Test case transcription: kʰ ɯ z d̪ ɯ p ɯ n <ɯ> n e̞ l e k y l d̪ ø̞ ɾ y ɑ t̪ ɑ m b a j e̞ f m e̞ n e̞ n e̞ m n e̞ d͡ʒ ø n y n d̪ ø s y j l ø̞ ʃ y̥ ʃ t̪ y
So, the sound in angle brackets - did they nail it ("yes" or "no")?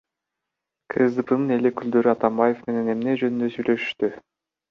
yes